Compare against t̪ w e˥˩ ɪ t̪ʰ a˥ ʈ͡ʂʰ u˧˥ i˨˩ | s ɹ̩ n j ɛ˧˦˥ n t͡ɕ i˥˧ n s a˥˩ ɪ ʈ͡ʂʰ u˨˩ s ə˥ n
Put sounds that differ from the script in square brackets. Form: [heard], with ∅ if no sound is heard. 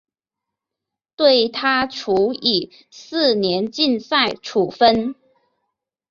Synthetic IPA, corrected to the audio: t̪ w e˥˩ ɪ t̪ʰ a˥ ʈ͡ʂʰ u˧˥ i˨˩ | s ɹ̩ n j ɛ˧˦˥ n t͡ɕ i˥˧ n s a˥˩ ɪ ʈ͡ʂʰ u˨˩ [f] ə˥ n